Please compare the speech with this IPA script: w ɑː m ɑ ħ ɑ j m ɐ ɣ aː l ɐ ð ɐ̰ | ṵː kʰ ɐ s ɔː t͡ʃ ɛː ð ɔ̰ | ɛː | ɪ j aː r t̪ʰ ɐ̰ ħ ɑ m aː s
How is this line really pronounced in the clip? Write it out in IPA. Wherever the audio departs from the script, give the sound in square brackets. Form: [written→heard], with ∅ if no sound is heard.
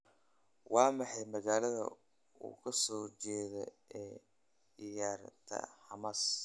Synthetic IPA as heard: w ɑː m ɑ ħ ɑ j m ɐ ɣ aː l ɐ ð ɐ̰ | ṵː kʰ ɐ s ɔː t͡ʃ ɛː ð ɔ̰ | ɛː | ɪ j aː r t̪ʰ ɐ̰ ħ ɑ m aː s